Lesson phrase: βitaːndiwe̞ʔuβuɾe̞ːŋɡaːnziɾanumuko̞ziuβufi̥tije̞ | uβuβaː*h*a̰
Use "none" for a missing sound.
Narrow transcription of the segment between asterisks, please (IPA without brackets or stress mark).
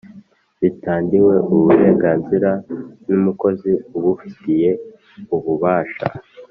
ʃ